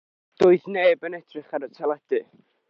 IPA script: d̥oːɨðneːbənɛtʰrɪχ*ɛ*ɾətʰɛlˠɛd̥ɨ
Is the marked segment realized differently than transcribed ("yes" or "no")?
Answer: yes